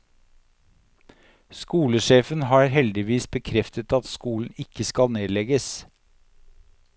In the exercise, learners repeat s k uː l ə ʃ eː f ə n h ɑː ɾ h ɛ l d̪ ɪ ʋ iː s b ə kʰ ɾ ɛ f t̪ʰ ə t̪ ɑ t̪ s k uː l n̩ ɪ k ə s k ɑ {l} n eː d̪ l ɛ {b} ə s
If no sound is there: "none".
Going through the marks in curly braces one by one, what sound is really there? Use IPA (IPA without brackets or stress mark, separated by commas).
l, ɡ